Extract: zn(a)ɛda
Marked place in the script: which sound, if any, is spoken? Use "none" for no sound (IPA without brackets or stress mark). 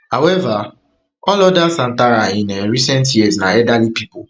a